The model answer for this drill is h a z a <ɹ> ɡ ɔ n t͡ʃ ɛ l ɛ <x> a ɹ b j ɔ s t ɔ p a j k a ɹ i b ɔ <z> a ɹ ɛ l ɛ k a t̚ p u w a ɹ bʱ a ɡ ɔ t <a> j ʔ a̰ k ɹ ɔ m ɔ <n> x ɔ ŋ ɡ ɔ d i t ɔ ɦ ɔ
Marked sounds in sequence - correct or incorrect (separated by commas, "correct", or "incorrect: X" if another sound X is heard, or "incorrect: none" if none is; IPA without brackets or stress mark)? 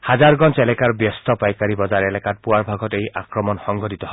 correct, incorrect: k, correct, incorrect: e, correct